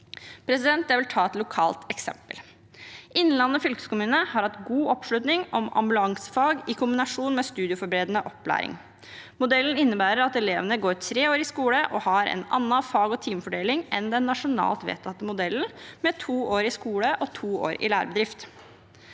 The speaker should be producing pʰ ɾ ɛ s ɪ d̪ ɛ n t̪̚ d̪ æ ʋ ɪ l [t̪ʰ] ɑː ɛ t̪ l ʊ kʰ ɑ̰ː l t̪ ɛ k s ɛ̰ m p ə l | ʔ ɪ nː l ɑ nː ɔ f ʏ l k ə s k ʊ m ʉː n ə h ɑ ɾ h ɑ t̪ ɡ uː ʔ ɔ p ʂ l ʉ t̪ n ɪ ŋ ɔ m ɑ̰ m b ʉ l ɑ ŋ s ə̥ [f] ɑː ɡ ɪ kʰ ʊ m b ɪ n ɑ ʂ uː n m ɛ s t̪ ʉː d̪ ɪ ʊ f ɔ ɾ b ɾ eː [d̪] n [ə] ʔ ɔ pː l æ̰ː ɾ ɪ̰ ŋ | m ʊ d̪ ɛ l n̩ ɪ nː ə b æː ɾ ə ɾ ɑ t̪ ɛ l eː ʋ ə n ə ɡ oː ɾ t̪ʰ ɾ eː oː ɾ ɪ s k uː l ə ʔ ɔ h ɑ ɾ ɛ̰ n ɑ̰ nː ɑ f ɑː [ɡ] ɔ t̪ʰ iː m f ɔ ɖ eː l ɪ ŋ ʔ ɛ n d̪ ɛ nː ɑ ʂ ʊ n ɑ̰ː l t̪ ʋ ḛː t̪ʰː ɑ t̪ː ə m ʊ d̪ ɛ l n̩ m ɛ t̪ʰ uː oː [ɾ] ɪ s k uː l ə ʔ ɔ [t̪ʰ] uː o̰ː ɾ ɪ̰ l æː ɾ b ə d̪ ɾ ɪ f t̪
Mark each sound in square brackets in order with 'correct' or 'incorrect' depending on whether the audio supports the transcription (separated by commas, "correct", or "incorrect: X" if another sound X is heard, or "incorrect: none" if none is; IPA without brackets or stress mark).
correct, correct, correct, correct, correct, correct, correct